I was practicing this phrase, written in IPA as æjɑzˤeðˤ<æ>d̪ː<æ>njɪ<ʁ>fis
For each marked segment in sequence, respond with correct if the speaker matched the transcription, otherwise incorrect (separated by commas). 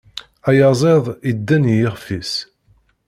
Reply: incorrect, correct, correct